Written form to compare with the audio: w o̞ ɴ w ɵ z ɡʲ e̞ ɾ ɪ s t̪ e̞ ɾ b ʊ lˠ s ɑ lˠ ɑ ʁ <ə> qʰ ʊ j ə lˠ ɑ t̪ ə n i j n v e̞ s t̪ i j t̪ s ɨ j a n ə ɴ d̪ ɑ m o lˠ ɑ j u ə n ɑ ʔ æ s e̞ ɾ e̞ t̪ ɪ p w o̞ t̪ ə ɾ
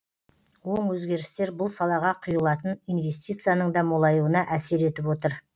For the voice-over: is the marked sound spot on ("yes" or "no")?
no